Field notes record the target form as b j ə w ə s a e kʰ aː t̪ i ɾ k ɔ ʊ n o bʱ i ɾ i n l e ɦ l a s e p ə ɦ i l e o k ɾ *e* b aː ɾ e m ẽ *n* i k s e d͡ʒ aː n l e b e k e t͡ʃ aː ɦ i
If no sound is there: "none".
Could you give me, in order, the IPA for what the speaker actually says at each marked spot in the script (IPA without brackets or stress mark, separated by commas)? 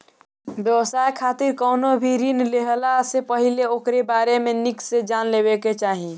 e, n